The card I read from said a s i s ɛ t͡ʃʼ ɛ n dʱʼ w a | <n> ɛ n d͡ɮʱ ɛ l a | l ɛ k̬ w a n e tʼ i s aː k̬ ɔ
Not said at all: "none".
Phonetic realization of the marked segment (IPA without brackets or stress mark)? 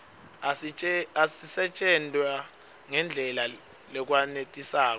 ŋ